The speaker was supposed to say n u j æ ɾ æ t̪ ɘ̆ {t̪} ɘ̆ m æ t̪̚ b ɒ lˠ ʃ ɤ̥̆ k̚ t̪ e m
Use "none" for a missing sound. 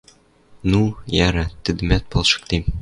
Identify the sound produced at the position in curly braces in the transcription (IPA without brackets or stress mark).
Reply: d̪